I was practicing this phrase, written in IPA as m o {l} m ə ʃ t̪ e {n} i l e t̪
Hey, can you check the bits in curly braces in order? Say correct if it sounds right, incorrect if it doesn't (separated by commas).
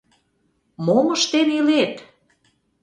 incorrect, correct